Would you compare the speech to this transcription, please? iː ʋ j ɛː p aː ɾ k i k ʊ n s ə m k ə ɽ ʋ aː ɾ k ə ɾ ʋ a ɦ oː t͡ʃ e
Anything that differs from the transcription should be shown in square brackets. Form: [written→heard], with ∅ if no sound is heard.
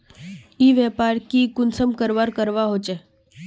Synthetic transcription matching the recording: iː ʋ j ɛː p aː ɾ k i k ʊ n s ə m k ə [ɽ→ɾ] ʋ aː ɾ k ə ɾ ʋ a ɦ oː t͡ʃ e